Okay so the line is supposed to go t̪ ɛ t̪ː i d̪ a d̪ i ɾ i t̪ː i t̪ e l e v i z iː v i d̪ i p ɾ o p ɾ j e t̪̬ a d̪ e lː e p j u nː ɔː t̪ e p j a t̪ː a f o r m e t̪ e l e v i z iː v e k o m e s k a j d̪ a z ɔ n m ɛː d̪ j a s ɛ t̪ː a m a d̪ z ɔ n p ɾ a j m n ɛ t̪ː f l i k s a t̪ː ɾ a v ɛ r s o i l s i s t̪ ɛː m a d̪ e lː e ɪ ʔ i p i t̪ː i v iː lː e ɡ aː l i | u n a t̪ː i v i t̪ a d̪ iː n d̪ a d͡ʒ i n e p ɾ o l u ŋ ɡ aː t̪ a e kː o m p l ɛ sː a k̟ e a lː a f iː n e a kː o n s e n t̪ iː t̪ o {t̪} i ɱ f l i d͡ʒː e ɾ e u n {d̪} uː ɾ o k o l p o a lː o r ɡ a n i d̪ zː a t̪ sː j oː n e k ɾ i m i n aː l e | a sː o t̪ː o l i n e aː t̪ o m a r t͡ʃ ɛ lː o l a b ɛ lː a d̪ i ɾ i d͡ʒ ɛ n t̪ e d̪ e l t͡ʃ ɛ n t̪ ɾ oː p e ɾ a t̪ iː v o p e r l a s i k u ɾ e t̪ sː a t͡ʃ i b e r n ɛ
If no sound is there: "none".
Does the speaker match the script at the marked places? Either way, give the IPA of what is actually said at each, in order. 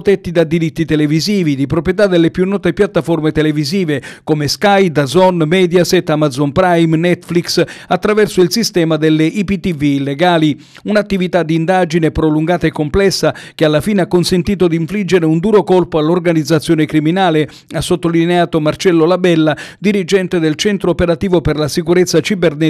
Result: d̪, d̪

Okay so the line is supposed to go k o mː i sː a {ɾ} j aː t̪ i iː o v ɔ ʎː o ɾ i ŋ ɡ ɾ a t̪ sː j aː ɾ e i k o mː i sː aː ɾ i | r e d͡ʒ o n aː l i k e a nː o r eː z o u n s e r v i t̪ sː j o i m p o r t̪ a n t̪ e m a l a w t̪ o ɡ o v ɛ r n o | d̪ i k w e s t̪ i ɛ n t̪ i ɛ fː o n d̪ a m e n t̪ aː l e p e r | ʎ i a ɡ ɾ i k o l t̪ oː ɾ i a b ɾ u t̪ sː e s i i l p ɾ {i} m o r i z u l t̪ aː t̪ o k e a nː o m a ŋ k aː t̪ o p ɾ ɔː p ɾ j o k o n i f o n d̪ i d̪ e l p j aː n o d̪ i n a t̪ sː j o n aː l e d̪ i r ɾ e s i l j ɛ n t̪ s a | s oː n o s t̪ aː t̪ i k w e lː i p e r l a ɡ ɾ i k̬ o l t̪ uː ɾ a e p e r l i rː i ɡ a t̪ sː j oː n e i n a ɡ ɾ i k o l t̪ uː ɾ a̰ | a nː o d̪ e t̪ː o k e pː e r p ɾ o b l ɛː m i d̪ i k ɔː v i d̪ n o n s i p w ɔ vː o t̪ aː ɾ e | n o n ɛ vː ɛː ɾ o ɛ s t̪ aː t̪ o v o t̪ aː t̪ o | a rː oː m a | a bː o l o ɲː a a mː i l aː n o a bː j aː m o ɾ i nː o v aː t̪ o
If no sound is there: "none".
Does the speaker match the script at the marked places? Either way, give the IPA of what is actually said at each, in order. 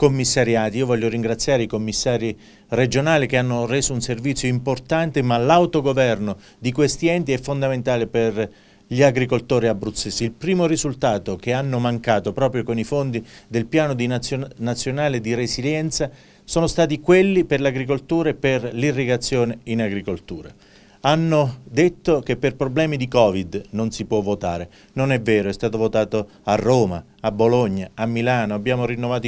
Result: ɾ, iː

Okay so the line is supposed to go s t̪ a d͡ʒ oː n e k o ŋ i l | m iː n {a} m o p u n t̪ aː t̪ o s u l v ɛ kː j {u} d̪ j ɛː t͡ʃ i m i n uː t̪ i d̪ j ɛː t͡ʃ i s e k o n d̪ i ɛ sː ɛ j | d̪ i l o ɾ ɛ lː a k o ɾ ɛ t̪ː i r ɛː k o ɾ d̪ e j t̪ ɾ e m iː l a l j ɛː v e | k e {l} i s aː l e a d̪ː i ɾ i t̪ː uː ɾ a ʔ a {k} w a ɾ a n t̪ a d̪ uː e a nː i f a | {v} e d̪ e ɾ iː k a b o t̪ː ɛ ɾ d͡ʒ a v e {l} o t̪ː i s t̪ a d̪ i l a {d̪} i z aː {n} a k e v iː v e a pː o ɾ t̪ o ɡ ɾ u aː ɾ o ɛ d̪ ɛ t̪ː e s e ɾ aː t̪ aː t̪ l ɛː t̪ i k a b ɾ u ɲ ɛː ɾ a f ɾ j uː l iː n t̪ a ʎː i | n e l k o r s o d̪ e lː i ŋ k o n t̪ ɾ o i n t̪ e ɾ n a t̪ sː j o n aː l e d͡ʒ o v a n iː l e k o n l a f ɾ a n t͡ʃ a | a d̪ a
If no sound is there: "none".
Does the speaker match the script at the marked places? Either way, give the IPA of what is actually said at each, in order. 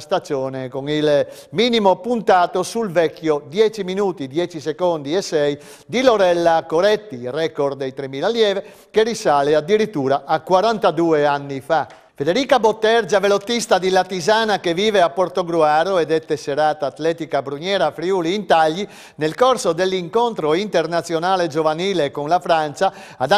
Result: i, o, r, k, f, l, t̪, n

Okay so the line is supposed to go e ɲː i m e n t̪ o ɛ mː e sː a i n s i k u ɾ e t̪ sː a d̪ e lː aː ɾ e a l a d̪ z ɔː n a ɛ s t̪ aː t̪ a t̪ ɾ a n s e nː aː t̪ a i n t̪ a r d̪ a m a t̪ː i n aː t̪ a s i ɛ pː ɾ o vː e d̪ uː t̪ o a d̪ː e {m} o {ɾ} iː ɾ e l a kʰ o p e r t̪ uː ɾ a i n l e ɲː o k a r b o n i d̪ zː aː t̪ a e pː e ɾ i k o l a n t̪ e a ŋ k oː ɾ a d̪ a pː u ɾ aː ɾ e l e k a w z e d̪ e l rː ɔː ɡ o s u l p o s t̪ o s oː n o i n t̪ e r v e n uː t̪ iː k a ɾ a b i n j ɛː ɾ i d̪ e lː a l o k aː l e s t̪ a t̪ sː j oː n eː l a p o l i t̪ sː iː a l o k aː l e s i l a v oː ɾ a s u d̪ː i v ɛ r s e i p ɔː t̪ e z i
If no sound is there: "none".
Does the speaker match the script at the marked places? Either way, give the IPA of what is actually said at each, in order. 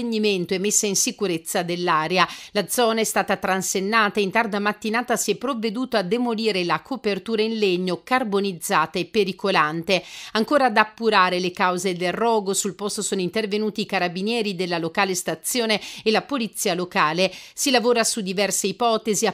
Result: m, l

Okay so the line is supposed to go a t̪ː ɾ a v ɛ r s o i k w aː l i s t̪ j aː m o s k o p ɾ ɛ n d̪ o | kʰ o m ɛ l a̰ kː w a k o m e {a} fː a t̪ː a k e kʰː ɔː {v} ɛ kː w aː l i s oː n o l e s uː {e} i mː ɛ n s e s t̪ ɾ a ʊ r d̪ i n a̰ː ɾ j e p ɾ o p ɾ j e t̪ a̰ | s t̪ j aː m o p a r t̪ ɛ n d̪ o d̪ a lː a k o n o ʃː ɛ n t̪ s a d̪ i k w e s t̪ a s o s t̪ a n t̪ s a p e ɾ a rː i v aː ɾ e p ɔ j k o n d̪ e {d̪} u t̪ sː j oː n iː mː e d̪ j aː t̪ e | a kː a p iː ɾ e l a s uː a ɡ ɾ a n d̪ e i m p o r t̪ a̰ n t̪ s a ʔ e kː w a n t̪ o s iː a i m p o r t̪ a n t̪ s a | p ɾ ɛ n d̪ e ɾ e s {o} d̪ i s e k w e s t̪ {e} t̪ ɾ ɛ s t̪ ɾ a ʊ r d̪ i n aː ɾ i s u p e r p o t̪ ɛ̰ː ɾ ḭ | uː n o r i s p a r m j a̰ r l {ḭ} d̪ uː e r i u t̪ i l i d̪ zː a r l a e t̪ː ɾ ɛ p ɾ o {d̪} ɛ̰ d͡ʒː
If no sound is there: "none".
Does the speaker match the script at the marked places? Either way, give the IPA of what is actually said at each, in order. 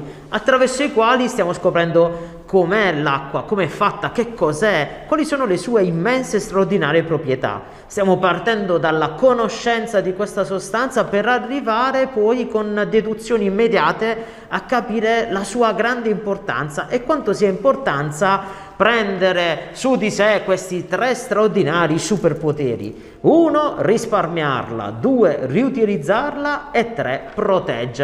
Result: ɛ, z, e, d̪, u, i, a̰, t̪

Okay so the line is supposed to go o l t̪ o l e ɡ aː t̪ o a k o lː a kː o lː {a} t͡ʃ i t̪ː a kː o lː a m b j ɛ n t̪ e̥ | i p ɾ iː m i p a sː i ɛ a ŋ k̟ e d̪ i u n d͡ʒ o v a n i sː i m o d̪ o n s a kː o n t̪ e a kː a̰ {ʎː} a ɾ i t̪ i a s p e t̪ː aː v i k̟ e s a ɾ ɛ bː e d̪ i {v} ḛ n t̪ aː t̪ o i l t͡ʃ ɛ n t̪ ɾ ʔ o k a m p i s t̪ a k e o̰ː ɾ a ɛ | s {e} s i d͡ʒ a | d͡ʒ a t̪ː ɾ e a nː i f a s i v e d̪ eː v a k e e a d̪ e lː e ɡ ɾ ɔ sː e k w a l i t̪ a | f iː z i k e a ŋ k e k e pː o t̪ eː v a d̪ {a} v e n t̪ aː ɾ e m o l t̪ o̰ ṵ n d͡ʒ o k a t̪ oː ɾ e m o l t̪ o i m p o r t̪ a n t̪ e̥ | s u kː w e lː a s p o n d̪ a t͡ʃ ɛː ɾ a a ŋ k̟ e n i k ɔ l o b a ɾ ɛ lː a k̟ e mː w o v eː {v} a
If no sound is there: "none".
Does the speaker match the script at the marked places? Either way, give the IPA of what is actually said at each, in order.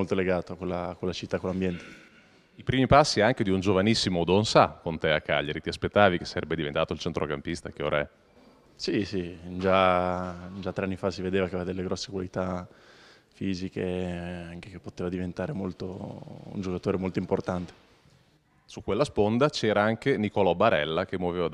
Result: a, ʎː, v, i, i, v

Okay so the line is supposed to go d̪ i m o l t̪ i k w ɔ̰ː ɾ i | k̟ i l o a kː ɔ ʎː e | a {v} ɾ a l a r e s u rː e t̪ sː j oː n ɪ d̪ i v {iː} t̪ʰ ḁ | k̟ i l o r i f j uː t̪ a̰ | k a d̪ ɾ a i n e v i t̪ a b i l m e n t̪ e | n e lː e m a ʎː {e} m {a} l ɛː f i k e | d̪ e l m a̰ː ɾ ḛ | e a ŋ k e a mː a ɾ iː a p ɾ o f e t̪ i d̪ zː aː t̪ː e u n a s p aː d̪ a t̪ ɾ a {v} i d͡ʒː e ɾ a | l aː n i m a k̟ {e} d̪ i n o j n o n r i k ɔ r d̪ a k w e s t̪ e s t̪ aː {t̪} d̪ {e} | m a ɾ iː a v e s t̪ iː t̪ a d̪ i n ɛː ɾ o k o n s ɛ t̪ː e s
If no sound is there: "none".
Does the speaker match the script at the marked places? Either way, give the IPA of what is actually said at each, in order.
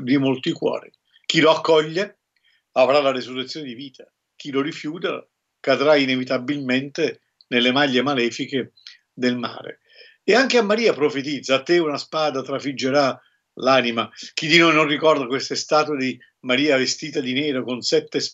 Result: v, iː, e, a, f, i, t̪, i

